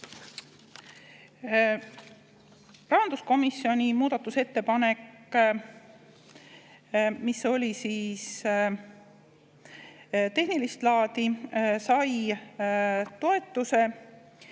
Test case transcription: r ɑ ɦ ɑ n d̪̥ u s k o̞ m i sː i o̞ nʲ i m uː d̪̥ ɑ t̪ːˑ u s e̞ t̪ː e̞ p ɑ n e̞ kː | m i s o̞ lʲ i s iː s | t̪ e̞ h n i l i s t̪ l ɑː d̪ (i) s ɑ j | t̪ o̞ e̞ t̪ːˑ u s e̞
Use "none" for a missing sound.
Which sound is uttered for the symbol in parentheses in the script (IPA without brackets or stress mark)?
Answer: i